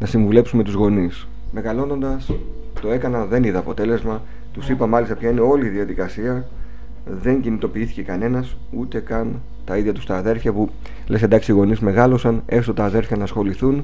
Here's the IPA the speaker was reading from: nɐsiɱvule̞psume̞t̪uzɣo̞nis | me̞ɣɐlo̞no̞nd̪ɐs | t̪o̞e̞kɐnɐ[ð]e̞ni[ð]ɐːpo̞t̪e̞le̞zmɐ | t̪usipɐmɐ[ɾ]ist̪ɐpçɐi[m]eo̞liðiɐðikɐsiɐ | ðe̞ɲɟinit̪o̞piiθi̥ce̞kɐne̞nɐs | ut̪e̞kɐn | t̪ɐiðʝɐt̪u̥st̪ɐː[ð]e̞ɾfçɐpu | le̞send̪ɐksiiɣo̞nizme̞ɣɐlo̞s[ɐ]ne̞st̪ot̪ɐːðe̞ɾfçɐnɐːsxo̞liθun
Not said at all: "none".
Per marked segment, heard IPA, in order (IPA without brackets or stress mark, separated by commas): ð, ð, l, n, ð, ɐ